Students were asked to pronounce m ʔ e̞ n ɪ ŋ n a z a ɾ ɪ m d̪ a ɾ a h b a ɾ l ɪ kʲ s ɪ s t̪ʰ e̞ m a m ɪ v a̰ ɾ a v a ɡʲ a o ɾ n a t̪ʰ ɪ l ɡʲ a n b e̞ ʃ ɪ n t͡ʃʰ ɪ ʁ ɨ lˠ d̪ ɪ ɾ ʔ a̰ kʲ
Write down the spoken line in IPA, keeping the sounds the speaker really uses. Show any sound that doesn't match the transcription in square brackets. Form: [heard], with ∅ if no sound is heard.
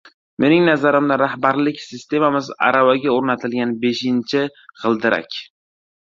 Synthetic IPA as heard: m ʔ e̞ n ɪ ŋ n a z a ɾ ɪ m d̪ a ɾ a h b a ɾ l ɪ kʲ s ɪ s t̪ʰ e̞ m a m ɪ [z] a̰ ɾ a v a ɡʲ a o ɾ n a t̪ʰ ɪ l ɡʲ a n b e̞ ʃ ɪ n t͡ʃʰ ɪ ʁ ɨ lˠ d̪ ɪ ɾ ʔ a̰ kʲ

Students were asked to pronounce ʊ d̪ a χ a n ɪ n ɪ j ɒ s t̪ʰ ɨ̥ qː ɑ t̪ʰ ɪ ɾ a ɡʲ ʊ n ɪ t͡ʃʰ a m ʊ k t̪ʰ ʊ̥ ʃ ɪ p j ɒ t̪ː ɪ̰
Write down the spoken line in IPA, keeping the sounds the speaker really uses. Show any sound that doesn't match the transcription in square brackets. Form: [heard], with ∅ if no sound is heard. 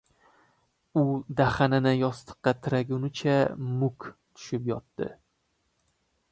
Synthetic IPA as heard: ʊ d̪ a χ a n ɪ n ɪ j ɒ s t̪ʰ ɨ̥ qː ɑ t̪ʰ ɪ ɾ a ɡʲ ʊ n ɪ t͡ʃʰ a m ʊ k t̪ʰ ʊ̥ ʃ ɪ p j ɒ t̪ː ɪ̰

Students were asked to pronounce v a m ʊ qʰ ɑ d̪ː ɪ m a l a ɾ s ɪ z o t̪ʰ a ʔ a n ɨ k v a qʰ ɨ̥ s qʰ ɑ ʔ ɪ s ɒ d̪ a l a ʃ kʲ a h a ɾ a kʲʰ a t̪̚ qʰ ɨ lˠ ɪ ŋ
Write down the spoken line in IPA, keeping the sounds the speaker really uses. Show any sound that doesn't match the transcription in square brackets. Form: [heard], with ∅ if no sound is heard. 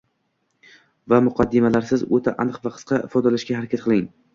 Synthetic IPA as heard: v a m ʊ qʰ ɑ d̪ː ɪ m a l a ɾ s ɪ z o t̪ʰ a ʔ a n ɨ [q] v a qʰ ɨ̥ s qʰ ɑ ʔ ɪ [f] ɒ d̪ a l a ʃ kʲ a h a ɾ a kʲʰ a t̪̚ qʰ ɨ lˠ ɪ ŋ

